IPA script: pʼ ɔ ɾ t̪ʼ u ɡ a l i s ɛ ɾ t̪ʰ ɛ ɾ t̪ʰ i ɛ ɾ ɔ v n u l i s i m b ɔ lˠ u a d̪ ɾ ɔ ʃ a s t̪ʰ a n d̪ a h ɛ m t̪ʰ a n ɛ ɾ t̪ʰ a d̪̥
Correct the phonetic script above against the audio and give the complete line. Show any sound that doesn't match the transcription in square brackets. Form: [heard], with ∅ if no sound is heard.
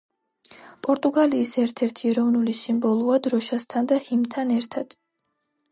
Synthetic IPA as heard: pʼ ɔ ɾ t̪ʼ u ɡ a l [iː] s ɛ ɾ t̪ʰ ɛ ɾ t̪ʰ i ɛ ɾ ɔ v n u l i s i m b ɔ lˠ u a d̪ ɾ ɔ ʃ a s t̪ʰ a n d̪ a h [i] m t̪ʰ a n ɛ ɾ t̪ʰ a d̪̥